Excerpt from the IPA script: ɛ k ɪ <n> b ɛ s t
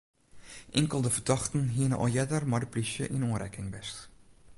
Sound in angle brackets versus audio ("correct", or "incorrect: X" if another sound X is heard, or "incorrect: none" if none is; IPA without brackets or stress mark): incorrect: ŋ